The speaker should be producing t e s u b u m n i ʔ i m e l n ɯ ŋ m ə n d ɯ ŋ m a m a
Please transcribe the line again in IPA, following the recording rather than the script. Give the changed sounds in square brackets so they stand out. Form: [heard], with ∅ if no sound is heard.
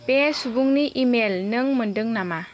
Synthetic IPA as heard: [p] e s u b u [ŋ] n i ʔ i m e l n ɯ ŋ m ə n d ɯ ŋ [n] a m a